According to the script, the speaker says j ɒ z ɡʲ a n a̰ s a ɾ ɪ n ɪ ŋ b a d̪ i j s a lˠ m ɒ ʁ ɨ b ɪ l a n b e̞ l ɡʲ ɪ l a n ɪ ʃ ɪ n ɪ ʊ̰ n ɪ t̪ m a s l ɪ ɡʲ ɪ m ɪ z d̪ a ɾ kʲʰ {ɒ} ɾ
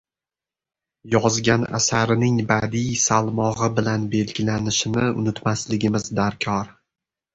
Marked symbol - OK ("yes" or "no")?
yes